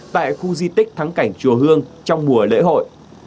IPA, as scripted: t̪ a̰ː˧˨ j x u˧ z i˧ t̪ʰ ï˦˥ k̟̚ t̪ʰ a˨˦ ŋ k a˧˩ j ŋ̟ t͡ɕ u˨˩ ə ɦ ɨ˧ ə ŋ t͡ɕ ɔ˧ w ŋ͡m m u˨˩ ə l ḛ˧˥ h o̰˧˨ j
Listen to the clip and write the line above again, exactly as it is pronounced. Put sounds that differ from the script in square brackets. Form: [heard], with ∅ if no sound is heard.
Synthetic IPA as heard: t̪ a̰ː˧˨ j x u˧ z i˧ [t̪] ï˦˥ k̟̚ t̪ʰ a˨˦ ŋ k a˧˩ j ŋ̟ t͡ɕ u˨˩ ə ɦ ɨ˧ ə ŋ t͡ɕ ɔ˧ w ŋ͡m m u˨˩ ə l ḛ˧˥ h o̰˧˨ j

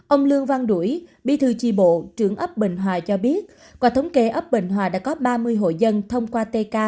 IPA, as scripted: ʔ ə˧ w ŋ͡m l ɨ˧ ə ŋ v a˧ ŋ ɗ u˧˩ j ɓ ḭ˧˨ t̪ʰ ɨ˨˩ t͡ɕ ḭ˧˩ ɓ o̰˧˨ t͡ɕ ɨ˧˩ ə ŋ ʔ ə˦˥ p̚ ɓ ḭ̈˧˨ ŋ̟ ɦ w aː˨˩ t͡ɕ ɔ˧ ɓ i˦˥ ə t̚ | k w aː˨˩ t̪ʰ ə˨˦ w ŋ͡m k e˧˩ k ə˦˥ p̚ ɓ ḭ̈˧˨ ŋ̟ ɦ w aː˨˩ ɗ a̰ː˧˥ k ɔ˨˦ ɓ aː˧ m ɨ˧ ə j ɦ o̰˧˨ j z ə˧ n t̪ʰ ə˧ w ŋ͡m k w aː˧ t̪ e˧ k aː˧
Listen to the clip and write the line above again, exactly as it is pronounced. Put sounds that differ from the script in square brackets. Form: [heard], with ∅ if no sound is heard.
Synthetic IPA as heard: ʔ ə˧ w ŋ͡m l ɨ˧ ə ŋ v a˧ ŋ ɗ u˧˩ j ɓ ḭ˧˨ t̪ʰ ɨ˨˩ t͡ɕ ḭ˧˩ ɓ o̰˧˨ t͡ɕ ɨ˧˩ ə ŋ ʔ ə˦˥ p̚ ɓ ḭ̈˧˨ ŋ̟ ɦ w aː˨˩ t͡ɕ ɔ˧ ɓ i˦˥ ə t̚ | k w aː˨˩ t̪ʰ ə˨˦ w ŋ͡m k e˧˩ [ʔ] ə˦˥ p̚ ɓ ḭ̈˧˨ ŋ̟ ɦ w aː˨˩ ɗ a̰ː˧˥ k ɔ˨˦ ɓ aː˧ m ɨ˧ ə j ɦ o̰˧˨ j z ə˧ n t̪ʰ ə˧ w ŋ͡m k w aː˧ t̪ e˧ k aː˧

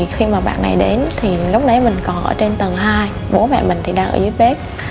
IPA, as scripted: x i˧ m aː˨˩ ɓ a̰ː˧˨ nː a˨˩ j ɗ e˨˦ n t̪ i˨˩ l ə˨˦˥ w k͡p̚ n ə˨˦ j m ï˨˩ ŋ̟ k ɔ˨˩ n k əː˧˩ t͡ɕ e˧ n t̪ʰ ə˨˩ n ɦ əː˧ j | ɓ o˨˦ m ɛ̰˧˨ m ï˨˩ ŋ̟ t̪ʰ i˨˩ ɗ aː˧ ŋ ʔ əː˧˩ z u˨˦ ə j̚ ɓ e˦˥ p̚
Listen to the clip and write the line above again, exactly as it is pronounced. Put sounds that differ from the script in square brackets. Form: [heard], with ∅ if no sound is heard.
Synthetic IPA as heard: x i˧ m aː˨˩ ɓ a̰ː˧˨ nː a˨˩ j ɗ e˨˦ n [t̪ʰ] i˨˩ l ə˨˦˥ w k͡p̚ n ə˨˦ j m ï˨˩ ŋ̟ k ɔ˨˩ n [ʔ] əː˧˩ t͡ɕ e˧ n [t̪] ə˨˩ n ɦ [aː˧] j | ɓ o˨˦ m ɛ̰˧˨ m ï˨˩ ŋ̟ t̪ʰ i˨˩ ɗ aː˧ ŋ ʔ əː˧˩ z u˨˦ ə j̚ ɓ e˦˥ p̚

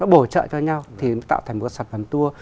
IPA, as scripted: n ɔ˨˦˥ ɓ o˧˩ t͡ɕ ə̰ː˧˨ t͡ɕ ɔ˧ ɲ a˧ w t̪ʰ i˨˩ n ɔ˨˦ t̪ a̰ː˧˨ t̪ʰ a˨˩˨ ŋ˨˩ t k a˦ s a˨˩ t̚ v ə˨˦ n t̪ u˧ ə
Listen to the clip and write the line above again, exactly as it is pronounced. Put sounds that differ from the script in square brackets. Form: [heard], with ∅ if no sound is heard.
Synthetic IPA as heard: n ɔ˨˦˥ ɓ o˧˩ t͡ɕ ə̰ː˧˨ t͡ɕ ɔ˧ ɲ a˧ w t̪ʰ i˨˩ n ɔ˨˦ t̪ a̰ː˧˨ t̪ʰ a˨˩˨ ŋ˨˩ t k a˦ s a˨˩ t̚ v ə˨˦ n t̪ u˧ ə

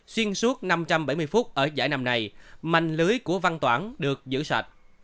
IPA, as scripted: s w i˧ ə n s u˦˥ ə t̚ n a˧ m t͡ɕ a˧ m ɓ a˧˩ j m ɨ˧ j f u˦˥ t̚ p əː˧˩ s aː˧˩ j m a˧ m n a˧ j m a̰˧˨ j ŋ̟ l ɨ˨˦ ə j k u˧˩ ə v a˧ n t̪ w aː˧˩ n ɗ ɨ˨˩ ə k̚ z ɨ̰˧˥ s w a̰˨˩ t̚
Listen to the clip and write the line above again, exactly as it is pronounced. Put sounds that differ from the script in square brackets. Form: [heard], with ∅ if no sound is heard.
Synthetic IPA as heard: s w i˧ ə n s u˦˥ ə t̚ n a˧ m t͡ɕ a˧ m ɓ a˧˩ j m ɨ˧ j f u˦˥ t̚ [ʔ] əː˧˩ [z] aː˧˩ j [n] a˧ m n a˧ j m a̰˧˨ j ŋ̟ l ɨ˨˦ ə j k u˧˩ ə v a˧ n t̪ w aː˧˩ n ɗ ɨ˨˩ ə k̚ z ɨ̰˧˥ s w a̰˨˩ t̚

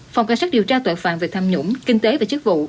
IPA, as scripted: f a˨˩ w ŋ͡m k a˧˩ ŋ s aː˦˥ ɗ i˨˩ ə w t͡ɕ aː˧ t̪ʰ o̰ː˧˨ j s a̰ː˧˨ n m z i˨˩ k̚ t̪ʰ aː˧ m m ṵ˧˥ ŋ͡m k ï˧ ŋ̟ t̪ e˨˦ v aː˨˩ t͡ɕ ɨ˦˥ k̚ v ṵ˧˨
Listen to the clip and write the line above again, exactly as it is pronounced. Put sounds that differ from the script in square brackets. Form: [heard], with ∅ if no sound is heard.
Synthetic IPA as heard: f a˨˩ w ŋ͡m k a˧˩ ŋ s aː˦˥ ɗ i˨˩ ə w t͡ɕ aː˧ [t̪] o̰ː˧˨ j [f] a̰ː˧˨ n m [v] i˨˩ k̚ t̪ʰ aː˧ m [ɲ] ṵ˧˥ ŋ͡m k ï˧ ŋ̟ t̪ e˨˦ v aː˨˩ t͡ɕ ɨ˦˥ k̚ v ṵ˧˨

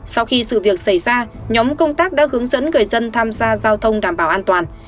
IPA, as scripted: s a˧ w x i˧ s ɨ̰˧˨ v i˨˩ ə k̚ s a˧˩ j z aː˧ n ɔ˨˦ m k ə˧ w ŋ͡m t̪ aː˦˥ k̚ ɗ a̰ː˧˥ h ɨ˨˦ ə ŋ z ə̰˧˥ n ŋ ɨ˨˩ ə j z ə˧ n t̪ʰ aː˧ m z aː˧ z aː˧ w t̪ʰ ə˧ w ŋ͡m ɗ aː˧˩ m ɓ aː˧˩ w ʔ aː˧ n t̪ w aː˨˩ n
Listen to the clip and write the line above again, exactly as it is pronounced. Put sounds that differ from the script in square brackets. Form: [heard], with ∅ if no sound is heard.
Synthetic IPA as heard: s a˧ w x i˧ s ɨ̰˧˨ v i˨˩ ə k̚ s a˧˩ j z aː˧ [ɲ] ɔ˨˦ m k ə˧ w ŋ͡m t̪ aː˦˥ k̚ ɗ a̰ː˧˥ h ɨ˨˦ ə ŋ z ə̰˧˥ n ŋ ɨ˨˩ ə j z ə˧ n t̪ʰ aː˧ m z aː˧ z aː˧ w t̪ʰ ə˧ w ŋ͡m ɗ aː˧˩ m ɓ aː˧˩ w ʔ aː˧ n t̪ w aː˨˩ n

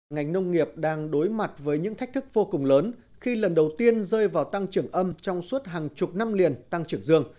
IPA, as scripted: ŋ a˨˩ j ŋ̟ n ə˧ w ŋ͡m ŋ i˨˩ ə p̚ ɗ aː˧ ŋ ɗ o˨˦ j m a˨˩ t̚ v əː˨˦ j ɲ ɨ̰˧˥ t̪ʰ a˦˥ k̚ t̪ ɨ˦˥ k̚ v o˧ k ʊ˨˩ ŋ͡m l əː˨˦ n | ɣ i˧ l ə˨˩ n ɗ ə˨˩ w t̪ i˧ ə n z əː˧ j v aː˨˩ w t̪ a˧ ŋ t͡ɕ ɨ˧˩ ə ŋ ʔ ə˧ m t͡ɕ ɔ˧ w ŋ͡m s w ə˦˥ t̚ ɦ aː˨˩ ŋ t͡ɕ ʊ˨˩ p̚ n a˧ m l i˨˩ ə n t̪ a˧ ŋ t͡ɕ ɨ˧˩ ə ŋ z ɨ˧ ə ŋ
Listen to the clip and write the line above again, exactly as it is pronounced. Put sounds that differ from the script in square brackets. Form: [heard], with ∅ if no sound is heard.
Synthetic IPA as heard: ŋ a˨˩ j ŋ̟ n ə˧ w ŋ͡m ŋ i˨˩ ə p̚ ɗ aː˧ ŋ ɗ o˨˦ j m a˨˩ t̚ v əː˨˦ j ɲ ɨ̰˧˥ t̪ʰ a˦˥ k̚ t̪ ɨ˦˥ k̚ v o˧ k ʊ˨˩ ŋ͡m l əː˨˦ n | [x] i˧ l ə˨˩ n ɗ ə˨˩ w t̪ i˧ ə n z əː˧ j v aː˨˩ w t̪ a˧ ŋ t͡ɕ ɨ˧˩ ə ŋ ʔ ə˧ m t͡ɕ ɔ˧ w ŋ͡m s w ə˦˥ t̚ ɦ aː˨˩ ŋ t͡ɕ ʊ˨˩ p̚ n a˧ m l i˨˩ ə n t̪ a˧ ŋ t͡ɕ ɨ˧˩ ə ŋ z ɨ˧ ə ŋ

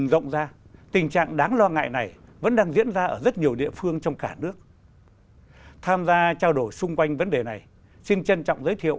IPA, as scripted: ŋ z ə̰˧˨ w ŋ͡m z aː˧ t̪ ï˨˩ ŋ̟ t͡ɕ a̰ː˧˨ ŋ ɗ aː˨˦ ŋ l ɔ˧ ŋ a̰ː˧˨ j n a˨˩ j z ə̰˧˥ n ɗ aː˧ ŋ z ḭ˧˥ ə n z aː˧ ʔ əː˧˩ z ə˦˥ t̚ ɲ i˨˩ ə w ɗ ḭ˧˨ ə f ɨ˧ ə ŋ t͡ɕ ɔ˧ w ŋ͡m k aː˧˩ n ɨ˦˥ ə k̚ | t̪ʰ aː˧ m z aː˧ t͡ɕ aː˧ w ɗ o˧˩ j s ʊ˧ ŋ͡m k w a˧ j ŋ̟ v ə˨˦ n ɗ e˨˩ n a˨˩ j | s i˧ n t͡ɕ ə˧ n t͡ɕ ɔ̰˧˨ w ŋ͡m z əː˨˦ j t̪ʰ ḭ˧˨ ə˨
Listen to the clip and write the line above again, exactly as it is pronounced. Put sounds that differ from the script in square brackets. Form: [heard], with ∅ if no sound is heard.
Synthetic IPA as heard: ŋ z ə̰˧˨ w ŋ͡m z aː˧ t̪ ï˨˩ ŋ̟ t͡ɕ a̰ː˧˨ ŋ ɗ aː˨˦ ŋ l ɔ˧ ŋ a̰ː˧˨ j n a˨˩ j [v] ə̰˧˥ n ɗ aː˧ ŋ z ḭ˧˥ ə n z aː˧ ʔ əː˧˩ z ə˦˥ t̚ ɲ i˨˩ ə w ɗ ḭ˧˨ ə f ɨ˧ ə ŋ t͡ɕ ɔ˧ w ŋ͡m k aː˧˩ n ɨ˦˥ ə k̚ | t̪ʰ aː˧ m z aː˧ t͡ɕ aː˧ w ɗ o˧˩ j s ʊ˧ ŋ͡m k w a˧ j ŋ̟ v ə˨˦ n ɗ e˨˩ n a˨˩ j | s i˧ n t͡ɕ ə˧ n t͡ɕ ɔ̰˧˨ w ŋ͡m z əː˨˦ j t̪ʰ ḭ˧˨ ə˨

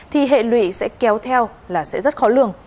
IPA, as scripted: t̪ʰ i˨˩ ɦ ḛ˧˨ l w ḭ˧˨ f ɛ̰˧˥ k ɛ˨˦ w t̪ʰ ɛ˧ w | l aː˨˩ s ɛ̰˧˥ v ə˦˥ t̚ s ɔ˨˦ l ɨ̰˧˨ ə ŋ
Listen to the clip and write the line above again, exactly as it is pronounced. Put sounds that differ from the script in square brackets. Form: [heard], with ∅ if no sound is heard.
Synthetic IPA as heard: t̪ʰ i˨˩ ɦ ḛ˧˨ l w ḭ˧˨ [s] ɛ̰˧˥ k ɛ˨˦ w t̪ʰ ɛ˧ w | l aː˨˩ s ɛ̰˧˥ [z] ə˦˥ t̚ [x] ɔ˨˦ l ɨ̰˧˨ ə ŋ

